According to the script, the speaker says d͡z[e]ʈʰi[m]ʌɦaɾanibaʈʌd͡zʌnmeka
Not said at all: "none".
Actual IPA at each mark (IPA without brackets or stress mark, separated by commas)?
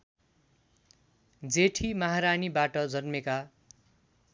e, m